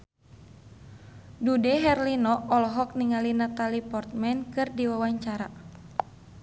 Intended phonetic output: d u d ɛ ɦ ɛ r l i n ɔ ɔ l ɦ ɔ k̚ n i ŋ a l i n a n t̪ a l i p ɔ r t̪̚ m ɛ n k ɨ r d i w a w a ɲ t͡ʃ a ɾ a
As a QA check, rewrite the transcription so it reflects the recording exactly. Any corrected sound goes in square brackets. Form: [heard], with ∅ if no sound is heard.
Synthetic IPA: d u d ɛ ɦ ɛ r l i n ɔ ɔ l ɦ ɔ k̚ n i ŋ a l i n a [∅] t̪ a l i p ɔ r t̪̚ m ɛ n k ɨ r d i w a w a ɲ t͡ʃ a ɾ a